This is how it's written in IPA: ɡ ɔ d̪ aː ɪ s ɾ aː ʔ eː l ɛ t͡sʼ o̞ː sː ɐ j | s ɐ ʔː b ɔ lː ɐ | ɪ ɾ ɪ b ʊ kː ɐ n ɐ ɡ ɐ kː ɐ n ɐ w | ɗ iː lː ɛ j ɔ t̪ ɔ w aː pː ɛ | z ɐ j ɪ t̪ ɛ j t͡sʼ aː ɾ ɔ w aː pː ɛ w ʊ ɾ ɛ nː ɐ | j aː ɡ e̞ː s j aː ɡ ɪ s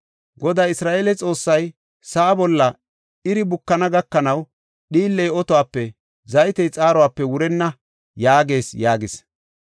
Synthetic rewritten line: ɡ ɔ d̪ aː ɪ s ɾ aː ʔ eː l ɛ t͡sʼ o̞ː sː ɐ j | s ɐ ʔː b ɔ lː ɐ | ɪ ɾ ɪ b ʊ kː ɐ n ɐ ɡ ɐ kː ɐ n ɐ w | ɗ iː lː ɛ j ɔ t̪ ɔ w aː pː ɛ | z ɐ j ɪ t̪ ɛ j t͡sʼ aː ɾ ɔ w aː pː ɛ w ʊ ɾ ɛ nː ɐ | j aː ɡ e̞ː s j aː ɡ ɪ s